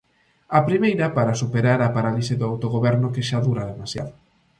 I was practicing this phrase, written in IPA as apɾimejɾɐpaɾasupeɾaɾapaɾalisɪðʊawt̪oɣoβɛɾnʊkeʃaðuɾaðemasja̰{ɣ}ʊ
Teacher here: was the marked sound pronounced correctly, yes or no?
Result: no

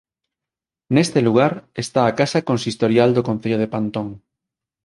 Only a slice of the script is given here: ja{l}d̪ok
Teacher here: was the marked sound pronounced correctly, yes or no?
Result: yes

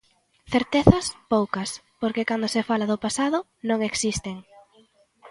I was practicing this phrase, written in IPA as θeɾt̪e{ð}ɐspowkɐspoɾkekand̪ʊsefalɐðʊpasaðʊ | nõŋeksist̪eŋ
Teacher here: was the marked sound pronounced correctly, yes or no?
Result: no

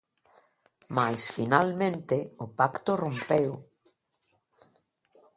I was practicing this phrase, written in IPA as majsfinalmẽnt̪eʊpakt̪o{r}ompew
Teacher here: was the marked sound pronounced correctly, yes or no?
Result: yes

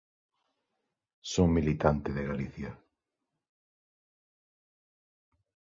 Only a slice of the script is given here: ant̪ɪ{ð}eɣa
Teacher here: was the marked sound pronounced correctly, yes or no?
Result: yes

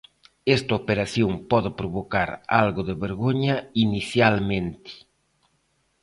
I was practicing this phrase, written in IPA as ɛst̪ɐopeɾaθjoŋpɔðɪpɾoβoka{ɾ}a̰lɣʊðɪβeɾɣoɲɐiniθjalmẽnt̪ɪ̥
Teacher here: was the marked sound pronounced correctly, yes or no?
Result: yes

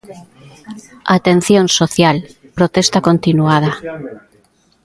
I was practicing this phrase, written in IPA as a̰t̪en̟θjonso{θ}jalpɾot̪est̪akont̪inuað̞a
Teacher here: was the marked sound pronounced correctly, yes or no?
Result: yes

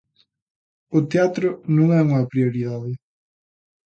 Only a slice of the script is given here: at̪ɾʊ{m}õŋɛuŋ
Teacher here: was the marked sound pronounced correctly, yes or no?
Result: no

